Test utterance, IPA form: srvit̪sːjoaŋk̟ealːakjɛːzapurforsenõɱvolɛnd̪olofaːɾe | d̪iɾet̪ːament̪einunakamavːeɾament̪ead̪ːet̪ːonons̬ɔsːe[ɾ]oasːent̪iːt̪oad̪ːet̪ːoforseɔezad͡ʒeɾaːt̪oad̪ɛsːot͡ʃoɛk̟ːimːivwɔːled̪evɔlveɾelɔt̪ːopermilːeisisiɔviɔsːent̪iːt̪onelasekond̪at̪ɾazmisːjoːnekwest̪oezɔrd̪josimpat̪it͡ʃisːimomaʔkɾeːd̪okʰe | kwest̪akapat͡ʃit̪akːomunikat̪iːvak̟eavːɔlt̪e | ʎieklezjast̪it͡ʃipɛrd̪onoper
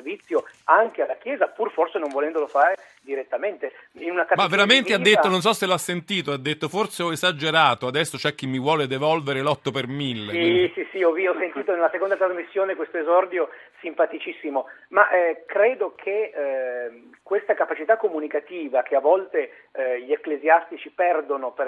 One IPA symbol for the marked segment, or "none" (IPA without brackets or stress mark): l